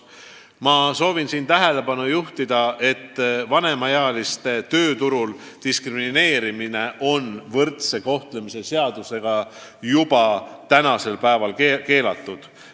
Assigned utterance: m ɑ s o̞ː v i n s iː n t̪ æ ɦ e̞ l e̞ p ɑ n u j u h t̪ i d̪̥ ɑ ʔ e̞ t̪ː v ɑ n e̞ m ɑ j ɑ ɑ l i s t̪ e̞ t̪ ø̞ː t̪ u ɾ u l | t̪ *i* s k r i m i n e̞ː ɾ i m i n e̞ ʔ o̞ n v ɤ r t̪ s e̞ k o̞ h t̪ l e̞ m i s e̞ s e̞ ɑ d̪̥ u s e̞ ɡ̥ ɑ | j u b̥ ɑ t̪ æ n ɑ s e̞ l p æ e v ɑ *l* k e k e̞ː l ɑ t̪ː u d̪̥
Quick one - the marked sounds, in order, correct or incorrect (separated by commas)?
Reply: correct, correct